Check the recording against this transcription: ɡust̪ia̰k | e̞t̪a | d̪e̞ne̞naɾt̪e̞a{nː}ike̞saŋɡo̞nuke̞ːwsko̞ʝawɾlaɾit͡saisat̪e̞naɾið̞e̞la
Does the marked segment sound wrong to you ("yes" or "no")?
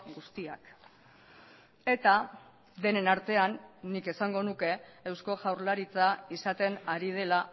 no